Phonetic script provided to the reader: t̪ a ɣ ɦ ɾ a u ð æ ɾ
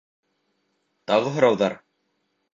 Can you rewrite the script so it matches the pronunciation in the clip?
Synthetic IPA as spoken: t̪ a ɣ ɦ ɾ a w ð a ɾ